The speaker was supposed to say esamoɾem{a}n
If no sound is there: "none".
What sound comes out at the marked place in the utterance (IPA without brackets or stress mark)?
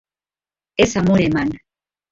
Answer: a